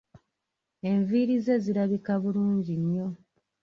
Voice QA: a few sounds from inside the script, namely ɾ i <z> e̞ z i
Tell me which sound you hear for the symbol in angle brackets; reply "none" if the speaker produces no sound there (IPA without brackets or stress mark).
z